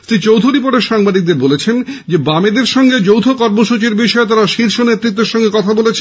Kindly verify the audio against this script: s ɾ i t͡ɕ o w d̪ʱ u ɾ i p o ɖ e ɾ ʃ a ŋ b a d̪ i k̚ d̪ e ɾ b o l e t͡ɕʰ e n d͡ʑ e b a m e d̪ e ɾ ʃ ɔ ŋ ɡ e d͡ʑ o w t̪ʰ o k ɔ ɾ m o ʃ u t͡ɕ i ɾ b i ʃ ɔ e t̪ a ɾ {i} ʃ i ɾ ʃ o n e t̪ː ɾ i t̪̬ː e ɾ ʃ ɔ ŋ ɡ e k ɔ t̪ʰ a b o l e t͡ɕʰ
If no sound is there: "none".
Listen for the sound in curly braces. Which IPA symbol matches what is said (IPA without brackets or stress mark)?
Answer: a